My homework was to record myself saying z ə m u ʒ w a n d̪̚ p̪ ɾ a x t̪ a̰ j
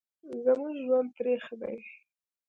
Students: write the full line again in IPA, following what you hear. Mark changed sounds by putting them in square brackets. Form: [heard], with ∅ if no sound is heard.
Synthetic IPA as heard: z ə m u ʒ w a n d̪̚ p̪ ɾ [e] x [d̪] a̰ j